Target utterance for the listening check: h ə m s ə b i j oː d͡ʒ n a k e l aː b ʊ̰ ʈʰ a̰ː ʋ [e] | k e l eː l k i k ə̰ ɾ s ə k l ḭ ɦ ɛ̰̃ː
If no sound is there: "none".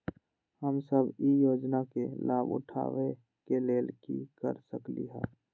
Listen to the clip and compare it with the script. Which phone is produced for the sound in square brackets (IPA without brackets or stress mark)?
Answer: e